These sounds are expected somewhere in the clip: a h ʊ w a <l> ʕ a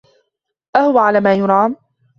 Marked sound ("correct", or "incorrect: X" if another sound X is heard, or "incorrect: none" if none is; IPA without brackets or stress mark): incorrect: none